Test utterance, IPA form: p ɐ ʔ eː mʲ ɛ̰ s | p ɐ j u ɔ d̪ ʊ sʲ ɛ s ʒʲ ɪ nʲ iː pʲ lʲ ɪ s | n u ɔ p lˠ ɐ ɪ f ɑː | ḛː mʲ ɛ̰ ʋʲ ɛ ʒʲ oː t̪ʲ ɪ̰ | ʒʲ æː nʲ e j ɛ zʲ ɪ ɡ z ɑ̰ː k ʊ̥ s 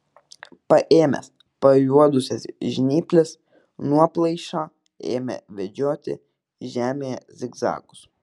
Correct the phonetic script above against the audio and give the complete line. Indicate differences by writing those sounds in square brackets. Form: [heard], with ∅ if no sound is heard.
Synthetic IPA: p ɐ ʔ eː mʲ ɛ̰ s | p ɐ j u ɔ d̪ ʊ sʲ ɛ s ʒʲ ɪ nʲ iː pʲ lʲ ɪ s | n u ɔ p lˠ ɐ ɪ [ʃ] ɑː | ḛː mʲ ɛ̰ ʋʲ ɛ [d͡ʒʲ] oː t̪ʲ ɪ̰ | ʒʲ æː [mʲ] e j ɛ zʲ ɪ ɡ z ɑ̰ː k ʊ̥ s

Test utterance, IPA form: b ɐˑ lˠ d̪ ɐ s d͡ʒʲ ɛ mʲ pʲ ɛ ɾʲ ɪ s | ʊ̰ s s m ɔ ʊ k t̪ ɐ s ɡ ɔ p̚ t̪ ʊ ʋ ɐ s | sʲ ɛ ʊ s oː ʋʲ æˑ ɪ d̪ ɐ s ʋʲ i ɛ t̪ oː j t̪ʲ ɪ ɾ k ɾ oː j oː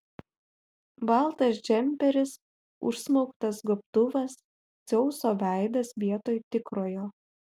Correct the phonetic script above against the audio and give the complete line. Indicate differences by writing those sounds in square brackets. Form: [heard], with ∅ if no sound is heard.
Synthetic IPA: b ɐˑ lˠ [t̪] ɐ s d͡ʒʲ ɛ mʲ pʲ ɛ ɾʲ ɪ s | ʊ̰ [ʃ] s m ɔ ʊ k t̪ ɐ s ɡ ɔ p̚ t̪ ʊ ʋ ɐ s | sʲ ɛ ʊ s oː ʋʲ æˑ ɪ d̪ ɐ s ʋʲ i ɛ t̪ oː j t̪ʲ ɪ [∅] k ɾ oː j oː

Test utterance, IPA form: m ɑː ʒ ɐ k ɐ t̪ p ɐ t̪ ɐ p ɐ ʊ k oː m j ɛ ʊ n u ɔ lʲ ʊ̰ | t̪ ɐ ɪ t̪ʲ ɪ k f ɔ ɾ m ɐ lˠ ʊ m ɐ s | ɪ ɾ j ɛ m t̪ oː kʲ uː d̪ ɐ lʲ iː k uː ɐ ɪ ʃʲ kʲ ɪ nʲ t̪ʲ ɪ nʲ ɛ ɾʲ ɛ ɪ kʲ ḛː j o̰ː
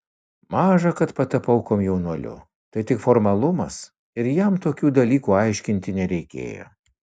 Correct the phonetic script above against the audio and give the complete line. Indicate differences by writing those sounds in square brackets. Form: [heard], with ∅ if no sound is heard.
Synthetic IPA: m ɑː ʒ ɐ k ɐ t̪ p ɐ t̪ ɐ p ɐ ʊ k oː m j ɛ ʊ n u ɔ lʲ ʊ̰ | t̪ ɐ ɪ t̪ʲ ɪ k f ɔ ɾ m ɐ lˠ ʊ m ɐ s | ɪ ɾ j ɛ m t̪ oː kʲ uː d̪ ɐ lʲ iː k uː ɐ ɪ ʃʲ kʲ ɪ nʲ t̪ʲ ɪ nʲ ɛ ɾʲ ɛ ɪ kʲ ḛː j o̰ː

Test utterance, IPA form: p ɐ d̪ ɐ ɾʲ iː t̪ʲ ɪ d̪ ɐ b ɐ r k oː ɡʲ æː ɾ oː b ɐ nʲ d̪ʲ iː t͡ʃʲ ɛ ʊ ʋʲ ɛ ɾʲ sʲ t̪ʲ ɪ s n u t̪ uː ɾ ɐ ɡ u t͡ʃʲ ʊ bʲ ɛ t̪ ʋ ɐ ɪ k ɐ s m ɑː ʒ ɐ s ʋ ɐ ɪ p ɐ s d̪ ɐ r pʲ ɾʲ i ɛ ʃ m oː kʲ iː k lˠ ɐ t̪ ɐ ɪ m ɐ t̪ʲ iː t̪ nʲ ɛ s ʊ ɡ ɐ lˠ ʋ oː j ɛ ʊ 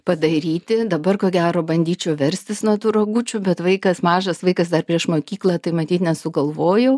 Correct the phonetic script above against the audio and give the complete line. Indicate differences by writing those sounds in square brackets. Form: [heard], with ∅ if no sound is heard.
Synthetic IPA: p ɐ d̪ ɐ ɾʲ iː t̪ʲ ɪ d̪ ɐ b ɐ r k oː ɡʲ æː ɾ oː b ɐ nʲ d̪ʲ iː t͡ʃʲ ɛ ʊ ʋʲ ɛ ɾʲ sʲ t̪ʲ ɪ s n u t̪ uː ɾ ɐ ɡ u t͡ʃʲ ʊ bʲ ɛ t̪ ʋ ɐ ɪ k ɐ s m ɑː ʒ ɐ s ʋ ɐ ɪ [k] ɐ s d̪ ɐ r pʲ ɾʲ i ɛ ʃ m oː kʲ iː k lˠ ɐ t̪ ɐ ɪ m ɐ t̪ʲ iː t̪ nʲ ɛ s ʊ ɡ ɐ lˠ ʋ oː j ɛ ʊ

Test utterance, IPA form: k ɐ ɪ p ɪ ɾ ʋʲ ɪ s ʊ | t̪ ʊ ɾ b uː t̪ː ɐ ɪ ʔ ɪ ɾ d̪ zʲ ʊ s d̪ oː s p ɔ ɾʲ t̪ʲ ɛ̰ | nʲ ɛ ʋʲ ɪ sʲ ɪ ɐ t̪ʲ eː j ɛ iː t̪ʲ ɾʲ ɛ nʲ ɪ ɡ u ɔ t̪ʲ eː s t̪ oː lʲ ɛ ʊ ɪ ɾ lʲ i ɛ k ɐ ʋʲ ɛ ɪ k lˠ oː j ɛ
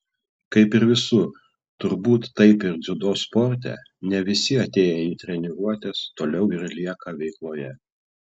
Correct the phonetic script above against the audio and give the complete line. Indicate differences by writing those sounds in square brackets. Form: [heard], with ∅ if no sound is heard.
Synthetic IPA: k ɐ ɪ p ɪ ɾ ʋʲ ɪ s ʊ | t̪ ʊ ɾ b uː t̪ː ɐ ɪ [p] ɪ ɾ d̪ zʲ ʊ [∅] d̪ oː s p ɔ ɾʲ t̪ʲ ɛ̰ | nʲ ɛ ʋʲ ɪ sʲ ɪ ɐ t̪ʲ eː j ɛ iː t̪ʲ ɾʲ ɛ nʲ ɪ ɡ u ɔ t̪ʲ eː s t̪ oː lʲ ɛ ʊ ɪ ɾ lʲ i ɛ k ɐ ʋʲ ɛ ɪ k lˠ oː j ɛ

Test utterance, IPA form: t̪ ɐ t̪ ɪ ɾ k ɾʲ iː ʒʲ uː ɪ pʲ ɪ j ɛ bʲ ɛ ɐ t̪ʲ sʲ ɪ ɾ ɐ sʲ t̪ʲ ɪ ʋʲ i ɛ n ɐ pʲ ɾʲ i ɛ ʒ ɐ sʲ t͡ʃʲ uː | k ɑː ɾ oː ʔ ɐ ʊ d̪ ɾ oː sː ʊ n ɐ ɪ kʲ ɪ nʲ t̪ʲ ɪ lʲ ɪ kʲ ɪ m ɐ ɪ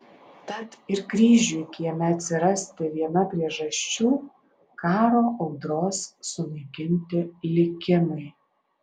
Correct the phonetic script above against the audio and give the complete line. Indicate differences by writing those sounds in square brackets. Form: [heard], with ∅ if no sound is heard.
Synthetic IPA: t̪ ɐ t̪ ɪ ɾ k ɾʲ iː ʒʲ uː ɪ [kʲ] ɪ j ɛ [mʲ] ɛ ɐ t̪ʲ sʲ ɪ ɾ ɐ sʲ t̪ʲ ɪ ʋʲ i ɛ n ɐ pʲ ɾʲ i ɛ ʒ ɐ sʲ t͡ʃʲ uː | k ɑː ɾ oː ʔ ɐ ʊ d̪ ɾ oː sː ʊ n ɐ ɪ kʲ ɪ nʲ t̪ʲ ɪ lʲ ɪ kʲ ɪ m ɐ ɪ

